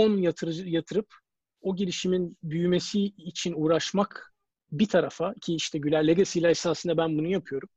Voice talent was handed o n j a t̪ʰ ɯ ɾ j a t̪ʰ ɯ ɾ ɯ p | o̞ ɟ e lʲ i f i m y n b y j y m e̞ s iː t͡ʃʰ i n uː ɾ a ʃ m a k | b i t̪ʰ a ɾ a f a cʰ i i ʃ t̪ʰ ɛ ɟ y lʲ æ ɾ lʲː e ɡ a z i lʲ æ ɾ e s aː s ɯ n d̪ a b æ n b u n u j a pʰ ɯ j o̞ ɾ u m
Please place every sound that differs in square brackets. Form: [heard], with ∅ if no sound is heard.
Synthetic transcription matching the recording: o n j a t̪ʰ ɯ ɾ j a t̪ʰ ɯ ɾ ɯ p | o̞ ɟ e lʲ i [ʃ] i m [i] n b y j y m e̞ s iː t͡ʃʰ i n uː ɾ a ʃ m a k | b i t̪ʰ a ɾ a f a cʰ i i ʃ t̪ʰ ɛ ɟ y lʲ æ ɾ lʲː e ɡ a [s] i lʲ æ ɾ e s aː s ɯ n d̪ a b æ n b u n u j a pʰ ɯ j o̞ ɾ u m